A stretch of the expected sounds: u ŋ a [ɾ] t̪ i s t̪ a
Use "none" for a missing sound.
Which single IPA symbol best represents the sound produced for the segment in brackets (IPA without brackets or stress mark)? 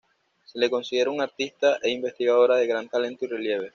ɾ